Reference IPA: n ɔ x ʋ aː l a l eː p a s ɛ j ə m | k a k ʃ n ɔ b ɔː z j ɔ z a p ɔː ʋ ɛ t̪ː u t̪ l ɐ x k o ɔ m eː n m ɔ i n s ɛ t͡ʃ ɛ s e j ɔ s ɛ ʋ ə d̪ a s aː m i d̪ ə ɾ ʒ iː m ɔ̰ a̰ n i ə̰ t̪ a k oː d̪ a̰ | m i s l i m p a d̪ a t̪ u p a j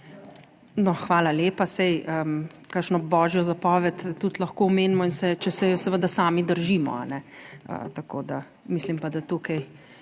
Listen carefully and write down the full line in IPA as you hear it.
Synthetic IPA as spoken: n ɔ x ʋ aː l a l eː p a s ɛ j ə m | k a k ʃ n ɔ b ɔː ʒ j ɔ z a p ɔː ʋ ɛ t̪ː u t̪ l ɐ x k o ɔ m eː n m ɔ i n s ɛ t͡ʃ ɛ s ɛ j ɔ s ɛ ʋ ə d̪ a s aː m i d̪ ə ɾ ʒ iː m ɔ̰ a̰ n ɛ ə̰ t̪ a k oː d̪ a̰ | m i s l i m p a d̪ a t̪ u k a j